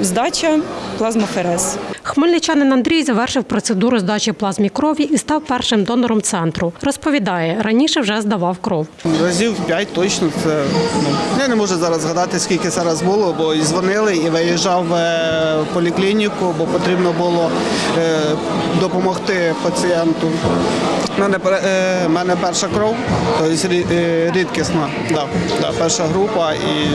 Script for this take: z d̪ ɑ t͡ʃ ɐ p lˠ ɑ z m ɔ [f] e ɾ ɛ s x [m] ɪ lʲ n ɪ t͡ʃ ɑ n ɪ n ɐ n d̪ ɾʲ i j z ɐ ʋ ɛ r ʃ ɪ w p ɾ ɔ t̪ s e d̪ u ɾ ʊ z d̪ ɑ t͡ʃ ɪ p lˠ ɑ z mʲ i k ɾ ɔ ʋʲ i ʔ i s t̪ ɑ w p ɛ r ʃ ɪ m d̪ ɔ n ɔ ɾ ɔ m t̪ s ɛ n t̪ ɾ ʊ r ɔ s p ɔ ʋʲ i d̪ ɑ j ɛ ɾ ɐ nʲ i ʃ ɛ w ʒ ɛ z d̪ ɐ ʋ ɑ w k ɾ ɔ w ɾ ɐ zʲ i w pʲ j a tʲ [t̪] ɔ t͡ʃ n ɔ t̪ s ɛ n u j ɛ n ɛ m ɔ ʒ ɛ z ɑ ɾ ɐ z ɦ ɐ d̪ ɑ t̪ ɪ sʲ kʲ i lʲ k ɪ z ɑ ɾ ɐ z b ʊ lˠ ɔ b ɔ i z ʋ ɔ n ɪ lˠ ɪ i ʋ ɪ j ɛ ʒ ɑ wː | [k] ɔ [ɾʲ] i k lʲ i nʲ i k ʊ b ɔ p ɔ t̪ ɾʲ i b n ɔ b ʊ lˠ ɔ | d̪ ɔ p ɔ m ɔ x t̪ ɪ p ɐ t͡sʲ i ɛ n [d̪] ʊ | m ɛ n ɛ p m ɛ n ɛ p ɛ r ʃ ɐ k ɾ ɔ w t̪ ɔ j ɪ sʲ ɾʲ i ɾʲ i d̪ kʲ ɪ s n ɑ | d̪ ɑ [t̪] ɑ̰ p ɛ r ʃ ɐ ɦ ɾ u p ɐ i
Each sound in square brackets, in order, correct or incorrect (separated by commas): correct, correct, correct, incorrect, incorrect, incorrect, incorrect